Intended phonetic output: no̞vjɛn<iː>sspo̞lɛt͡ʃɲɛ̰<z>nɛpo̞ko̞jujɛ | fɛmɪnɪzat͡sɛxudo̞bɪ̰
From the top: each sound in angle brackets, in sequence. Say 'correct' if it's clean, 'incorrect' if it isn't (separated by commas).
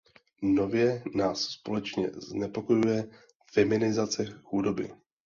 incorrect, correct